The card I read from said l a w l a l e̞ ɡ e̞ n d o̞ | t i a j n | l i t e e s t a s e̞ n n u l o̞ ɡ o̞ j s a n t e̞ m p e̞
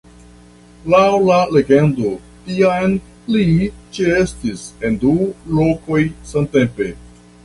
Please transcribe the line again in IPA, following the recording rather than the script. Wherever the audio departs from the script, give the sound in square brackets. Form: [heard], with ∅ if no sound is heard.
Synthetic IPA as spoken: l a w l a l e̞ ɡ e̞ n d o̞ | t i a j n | l i [t͡ʃ] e e s t [i] s e̞ n [d] u l o̞ [k] o̞ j s a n t e̞ m p e̞